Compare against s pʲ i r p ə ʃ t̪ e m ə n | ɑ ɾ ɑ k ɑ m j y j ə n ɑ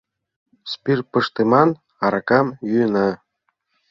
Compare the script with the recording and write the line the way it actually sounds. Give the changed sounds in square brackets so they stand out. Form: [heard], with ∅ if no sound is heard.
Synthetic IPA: s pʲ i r p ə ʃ t̪ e m [ɑ] n | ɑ ɾ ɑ k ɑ m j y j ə n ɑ